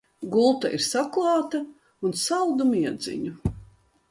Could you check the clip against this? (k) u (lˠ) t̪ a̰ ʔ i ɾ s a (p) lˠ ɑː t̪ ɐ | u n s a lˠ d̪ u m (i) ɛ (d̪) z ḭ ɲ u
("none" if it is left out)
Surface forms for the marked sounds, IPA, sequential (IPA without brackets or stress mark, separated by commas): ɡ, lˠ, k, i, d̪